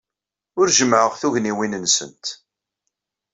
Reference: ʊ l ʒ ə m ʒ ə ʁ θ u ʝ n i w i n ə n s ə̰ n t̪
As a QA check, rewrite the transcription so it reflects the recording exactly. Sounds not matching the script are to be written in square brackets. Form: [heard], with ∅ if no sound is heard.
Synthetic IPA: ʊ [ɾ] ʒ ə m [ʕ] ə ʁ θ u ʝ n i w i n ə n s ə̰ n t̪